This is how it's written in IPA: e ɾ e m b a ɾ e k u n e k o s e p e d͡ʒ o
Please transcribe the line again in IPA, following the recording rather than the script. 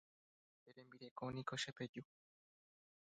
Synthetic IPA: e ɾ e m b i ɾ e k o n i k o ʃ e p e d͡ʒ u